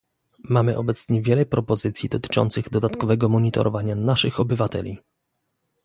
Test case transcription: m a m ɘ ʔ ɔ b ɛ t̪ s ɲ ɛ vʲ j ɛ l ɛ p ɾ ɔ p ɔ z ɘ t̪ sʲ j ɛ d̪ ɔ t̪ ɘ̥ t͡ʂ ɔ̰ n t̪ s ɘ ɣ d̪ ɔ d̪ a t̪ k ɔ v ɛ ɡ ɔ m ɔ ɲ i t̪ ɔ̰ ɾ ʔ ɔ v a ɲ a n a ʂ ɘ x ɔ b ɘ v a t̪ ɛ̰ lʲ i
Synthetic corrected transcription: m a m ɘ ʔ ɔ b ɛ t̪ s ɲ ɛ vʲ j ɛ l ɛ p ɾ ɔ p ɔ z ɘ t̪ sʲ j i d̪ ɔ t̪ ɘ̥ t͡ʂ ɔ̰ n t̪ s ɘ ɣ d̪ ɔ d̪ a t̪ k ɔ v ɛ ɡ ɔ m ɔ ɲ i t̪ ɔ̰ ɾ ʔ ɔ v a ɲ a n a ʂ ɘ x ɔ b ɘ v a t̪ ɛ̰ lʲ i